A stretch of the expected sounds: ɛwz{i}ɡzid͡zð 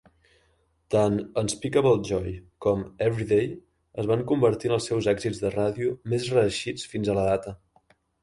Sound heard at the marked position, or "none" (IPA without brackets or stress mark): ɛ